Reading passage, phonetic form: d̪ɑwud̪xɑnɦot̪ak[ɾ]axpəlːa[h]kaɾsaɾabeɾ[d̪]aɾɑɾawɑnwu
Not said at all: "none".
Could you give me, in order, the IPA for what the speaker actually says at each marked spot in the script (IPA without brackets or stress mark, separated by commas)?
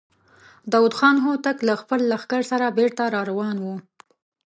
l, x, t̪